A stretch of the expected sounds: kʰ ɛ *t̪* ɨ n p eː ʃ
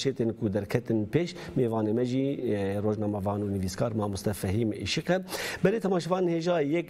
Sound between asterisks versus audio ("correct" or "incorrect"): correct